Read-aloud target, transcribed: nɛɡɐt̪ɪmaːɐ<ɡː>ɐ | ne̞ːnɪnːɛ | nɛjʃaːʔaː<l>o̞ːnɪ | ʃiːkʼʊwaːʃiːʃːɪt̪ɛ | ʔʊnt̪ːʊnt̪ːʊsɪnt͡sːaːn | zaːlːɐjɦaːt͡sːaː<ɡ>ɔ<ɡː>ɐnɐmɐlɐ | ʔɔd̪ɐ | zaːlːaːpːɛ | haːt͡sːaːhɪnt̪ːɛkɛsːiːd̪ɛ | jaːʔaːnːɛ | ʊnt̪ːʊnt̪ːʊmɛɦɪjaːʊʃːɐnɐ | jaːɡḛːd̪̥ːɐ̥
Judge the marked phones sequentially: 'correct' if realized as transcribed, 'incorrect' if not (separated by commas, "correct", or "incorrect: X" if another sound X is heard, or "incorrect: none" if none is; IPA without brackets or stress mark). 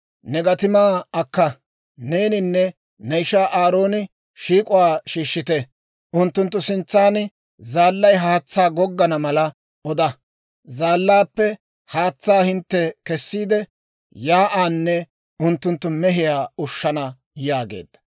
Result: incorrect: kː, incorrect: ɾ, correct, correct